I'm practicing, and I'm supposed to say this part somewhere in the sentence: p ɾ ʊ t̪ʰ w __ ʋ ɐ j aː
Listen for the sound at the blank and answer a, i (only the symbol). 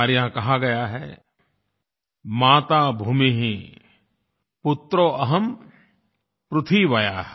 i